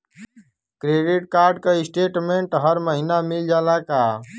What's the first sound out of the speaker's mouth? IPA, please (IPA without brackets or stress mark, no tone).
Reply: k